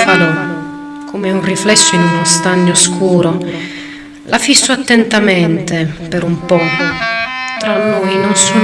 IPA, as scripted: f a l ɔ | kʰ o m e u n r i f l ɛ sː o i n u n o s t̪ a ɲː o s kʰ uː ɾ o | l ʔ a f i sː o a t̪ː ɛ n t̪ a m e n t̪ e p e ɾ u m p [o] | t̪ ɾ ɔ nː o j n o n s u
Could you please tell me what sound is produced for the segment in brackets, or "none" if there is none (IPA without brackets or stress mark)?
ɔ